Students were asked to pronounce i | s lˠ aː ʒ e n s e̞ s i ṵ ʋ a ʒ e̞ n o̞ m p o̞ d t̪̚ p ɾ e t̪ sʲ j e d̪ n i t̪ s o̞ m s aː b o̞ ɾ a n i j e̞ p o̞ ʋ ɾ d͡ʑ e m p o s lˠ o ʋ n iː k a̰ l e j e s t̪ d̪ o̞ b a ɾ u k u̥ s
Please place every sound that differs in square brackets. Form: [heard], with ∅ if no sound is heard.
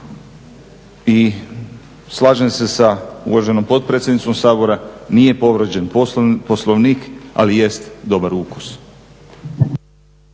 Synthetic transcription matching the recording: i | s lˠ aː ʒ e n s e̞ s [a] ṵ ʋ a ʒ e̞ n o̞ m p o̞ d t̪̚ p ɾ e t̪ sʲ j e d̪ n i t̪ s o̞ m s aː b o̞ ɾ a n i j e̞ p o̞ ʋ ɾ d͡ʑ e [n] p o s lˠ o ʋ n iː k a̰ l [i] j e s t̪ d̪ o̞ b a ɾ u k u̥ s